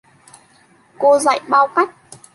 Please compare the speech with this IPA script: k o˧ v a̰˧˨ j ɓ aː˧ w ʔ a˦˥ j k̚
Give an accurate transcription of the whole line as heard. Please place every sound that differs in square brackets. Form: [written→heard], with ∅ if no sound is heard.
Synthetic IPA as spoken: k o˧ [v→z] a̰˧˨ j ɓ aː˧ w [ʔ→k] a˦˥ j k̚